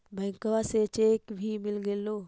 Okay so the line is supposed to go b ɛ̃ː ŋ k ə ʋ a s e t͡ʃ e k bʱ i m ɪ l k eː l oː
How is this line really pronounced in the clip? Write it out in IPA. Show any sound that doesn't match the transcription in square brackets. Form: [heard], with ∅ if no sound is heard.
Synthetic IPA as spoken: b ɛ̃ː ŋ k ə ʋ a s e t͡ʃ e k bʱ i m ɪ l [ɡ] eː l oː